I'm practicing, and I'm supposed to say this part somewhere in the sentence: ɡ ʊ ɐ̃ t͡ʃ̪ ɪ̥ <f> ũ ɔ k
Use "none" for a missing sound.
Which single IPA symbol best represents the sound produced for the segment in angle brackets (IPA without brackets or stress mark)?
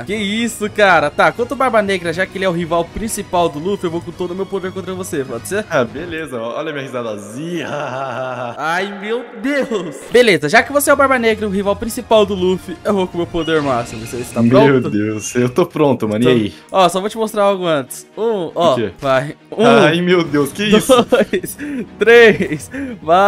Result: s